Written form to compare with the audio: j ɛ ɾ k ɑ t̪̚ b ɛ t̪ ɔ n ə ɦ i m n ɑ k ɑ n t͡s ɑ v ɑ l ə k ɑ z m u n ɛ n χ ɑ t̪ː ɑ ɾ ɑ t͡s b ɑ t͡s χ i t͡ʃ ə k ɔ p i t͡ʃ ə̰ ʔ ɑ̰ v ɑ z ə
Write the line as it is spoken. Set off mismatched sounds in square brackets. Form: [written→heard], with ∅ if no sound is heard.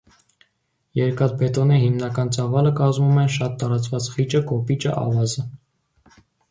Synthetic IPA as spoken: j ɛ ɾ k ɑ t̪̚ b ɛ t̪ ɔ n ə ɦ i m n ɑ k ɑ n t͡s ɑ v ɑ l ə k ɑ z m u [n→m] ɛ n [χ→ʃ] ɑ t̪ː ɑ ɾ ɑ t͡s [b→v] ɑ t͡s χ i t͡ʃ ə k ɔ p i t͡ʃ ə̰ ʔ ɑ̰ v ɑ z ə